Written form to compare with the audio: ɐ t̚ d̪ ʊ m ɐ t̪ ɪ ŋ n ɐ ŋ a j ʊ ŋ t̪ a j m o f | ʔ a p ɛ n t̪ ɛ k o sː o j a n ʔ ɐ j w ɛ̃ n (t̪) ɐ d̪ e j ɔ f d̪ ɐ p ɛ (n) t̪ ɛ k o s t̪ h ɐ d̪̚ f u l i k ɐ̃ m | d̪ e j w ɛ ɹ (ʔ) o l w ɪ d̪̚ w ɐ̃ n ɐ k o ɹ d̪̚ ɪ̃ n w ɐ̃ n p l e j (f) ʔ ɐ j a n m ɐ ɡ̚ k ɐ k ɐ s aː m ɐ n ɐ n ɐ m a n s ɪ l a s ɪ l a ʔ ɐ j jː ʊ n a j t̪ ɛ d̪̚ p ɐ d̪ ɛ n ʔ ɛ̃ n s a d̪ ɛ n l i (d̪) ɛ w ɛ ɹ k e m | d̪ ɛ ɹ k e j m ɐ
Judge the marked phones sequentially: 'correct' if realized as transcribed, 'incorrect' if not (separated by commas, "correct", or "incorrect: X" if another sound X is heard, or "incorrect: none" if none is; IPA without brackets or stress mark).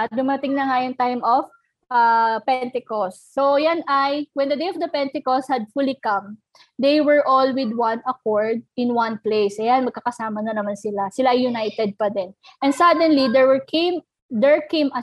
incorrect: d̪, correct, correct, incorrect: s, correct